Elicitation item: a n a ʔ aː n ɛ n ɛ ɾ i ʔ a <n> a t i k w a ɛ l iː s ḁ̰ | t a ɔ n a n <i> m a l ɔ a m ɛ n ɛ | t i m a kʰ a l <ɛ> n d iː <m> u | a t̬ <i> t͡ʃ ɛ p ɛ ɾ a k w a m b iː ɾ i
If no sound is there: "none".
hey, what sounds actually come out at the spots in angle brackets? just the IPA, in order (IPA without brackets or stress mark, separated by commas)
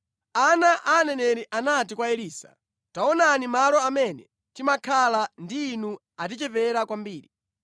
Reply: n, i, a, n, i